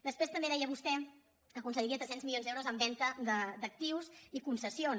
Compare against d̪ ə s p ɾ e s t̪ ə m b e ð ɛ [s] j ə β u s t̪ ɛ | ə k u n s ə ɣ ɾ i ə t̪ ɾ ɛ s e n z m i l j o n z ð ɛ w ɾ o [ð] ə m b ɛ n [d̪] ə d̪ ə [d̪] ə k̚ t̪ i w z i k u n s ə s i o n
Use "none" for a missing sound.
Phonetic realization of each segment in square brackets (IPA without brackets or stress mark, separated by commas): none, z, t̪, d̪